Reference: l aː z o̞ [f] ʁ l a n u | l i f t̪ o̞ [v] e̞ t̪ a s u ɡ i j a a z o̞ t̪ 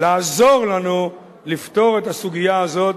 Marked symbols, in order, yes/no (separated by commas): no, no